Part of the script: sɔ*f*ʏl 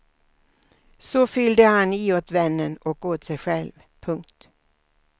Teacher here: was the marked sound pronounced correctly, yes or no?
yes